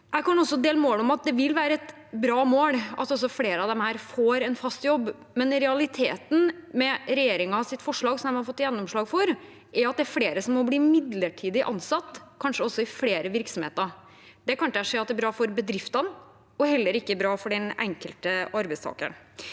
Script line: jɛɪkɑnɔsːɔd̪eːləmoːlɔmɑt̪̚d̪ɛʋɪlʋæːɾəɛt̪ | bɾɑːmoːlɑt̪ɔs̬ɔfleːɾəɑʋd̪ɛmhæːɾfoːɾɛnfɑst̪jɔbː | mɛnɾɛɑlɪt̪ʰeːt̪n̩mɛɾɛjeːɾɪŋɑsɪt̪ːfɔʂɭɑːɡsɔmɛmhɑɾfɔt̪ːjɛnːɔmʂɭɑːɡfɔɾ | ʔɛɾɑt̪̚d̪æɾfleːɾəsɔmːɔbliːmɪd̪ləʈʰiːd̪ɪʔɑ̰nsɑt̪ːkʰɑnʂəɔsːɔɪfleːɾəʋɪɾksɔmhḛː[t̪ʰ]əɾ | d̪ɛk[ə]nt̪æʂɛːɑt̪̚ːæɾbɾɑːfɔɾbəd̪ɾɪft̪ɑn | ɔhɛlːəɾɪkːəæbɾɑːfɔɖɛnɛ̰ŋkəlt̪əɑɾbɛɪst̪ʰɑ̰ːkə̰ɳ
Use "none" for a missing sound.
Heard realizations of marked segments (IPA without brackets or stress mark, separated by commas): t̪, ɑ